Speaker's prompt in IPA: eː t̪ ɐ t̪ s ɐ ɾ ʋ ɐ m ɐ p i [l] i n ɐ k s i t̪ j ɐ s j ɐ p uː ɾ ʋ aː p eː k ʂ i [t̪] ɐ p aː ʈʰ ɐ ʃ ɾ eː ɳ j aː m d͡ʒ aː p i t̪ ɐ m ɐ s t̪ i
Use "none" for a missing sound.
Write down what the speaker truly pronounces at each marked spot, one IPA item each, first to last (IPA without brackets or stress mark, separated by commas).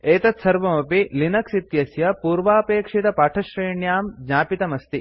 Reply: l, t̪